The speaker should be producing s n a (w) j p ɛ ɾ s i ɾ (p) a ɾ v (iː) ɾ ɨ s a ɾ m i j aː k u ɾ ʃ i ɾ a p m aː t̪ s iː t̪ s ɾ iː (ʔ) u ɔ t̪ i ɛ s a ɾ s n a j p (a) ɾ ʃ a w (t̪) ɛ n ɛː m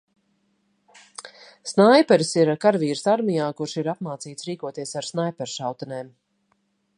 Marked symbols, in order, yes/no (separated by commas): no, no, yes, no, no, yes